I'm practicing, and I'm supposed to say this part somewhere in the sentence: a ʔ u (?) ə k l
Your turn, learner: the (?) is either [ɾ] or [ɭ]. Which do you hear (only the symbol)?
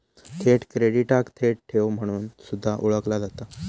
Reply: ɭ